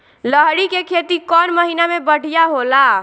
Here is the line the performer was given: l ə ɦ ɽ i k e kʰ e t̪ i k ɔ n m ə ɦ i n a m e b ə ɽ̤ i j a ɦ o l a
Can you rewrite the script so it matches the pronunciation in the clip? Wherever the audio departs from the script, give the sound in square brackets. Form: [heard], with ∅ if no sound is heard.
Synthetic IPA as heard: l ə ɦ ɽ i k e kʰ e t̪ i k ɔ n m ə ɦ i n a m e b ə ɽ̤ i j a ɦ o l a